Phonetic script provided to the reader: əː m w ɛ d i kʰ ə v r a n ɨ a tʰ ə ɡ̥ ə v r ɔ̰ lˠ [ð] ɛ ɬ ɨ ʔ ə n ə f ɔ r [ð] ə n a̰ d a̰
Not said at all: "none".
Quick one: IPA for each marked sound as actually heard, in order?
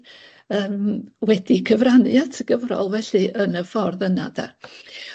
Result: v, ð

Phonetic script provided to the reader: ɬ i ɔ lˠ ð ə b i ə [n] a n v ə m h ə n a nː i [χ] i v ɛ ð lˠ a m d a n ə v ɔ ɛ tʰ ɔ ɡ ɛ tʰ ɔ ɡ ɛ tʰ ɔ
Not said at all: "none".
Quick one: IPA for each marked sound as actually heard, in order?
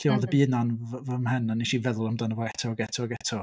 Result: n, ʃ

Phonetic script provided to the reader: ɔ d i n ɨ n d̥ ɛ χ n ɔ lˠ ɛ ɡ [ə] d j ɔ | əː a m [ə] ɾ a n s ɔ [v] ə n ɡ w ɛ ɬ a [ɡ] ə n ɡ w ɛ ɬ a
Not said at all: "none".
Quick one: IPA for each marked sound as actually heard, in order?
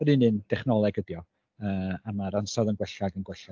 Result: ə, a, ð, ɡ

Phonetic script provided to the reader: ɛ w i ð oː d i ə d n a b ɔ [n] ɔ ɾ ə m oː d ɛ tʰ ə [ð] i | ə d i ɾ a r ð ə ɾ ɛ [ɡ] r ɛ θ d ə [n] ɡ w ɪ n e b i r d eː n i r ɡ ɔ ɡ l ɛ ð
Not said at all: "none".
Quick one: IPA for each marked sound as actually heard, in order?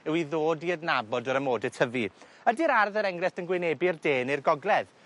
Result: d, v, ŋ, n

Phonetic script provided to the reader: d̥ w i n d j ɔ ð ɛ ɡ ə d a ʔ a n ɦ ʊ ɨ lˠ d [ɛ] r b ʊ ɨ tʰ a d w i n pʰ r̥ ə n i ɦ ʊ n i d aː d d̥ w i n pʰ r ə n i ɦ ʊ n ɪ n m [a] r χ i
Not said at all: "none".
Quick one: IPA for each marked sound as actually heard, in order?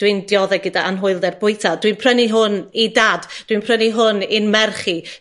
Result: ɛ, ɛ

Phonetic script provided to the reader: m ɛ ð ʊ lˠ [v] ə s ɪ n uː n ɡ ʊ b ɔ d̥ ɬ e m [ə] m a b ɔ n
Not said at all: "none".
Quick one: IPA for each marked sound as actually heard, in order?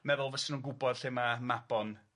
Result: v, a

